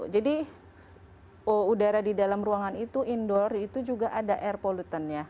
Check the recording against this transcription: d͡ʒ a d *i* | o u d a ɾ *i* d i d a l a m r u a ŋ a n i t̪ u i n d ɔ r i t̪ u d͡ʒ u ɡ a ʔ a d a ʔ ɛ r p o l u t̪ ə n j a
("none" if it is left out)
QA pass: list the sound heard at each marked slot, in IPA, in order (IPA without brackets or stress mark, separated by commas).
i, a